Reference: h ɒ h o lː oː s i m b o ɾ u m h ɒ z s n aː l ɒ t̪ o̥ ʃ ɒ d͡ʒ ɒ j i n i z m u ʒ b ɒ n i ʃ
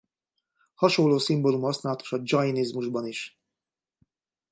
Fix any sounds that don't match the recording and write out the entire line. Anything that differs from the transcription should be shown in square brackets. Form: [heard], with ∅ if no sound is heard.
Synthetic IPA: h ɒ [ʃ] o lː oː s i m b o [l] u m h ɒ [∅] s n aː l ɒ t̪ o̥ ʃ ɒ d͡ʒ ɒ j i n i z m u ʒ b ɒ n i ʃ